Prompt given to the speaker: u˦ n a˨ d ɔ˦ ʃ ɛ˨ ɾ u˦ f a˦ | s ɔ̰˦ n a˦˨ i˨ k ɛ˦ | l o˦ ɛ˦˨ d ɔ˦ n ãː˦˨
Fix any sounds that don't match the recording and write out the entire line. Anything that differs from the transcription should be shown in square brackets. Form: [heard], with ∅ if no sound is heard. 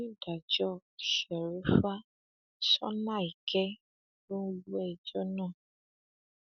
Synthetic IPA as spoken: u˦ [d] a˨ [d͡ʒ] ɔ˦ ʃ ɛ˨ ɾ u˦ f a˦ | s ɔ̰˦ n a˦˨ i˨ k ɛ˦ | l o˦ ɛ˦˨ [d͡ʒ] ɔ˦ n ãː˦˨